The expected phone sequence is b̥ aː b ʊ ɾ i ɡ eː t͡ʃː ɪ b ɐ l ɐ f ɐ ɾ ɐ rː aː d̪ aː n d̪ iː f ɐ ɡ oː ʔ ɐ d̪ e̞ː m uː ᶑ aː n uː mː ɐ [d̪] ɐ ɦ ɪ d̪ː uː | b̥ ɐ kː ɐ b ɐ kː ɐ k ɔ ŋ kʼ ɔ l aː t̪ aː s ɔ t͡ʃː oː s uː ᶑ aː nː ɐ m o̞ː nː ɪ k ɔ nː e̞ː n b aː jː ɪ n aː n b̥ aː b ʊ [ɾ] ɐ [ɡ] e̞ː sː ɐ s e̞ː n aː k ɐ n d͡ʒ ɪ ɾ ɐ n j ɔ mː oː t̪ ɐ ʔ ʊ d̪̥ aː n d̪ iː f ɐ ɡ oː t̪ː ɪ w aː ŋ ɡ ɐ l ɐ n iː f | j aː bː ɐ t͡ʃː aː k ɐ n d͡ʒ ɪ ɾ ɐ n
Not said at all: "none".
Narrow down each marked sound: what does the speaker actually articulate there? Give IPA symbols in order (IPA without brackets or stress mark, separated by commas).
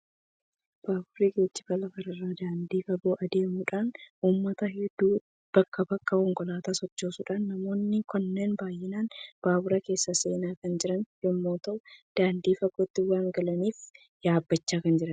t̪, ɾ, k